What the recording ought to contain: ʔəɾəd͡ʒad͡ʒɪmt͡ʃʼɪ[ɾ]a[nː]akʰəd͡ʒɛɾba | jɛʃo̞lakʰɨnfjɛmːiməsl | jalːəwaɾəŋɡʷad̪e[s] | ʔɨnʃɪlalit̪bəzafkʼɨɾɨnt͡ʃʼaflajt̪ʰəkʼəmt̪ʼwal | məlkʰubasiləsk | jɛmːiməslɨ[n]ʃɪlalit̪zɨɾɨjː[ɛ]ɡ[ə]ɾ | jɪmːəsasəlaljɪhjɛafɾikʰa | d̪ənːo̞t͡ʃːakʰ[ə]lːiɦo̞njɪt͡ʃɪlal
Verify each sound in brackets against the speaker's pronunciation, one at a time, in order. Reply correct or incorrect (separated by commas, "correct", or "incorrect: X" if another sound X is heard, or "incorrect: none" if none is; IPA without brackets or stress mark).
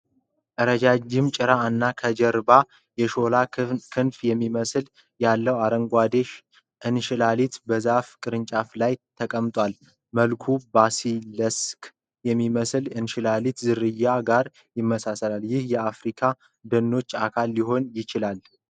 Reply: correct, correct, incorrect: ʃ, correct, incorrect: a, incorrect: a, incorrect: a